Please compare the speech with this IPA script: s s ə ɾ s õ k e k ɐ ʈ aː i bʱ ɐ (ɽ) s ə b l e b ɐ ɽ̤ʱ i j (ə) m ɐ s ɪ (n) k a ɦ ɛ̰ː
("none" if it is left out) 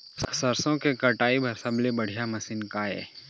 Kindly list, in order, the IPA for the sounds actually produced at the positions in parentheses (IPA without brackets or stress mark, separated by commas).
ɾ, a, n